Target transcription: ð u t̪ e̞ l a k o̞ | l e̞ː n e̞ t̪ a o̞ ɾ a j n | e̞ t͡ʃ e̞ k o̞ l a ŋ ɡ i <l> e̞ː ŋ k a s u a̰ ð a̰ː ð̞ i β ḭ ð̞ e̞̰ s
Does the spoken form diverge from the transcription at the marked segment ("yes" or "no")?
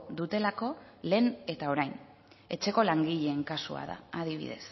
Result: yes